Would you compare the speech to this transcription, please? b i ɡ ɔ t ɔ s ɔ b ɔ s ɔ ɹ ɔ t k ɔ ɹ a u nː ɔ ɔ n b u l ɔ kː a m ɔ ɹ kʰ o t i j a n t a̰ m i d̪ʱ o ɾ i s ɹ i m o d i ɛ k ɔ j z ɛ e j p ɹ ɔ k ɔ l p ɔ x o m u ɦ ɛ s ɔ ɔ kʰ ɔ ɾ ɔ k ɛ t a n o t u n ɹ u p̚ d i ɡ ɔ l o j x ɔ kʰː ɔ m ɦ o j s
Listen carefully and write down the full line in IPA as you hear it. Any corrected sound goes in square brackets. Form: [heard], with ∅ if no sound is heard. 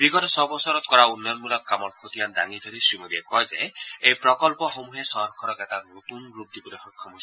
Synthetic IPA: b i ɡ ɔ t ɔ s ɔ b ɔ s ɔ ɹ ɔ t k ɔ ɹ a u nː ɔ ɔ n [m] u l ɔ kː a m ɔ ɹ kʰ o t i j a n [d] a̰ [ŋ] i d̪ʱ o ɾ i s ɹ i m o d i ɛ k ɔ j z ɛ e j p ɹ ɔ k ɔ l p ɔ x o m u ɦ ɛ s ɔ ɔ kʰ ɔ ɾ ɔ k ɛ t a n o t u n ɹ u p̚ d i [b] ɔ l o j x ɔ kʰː ɔ m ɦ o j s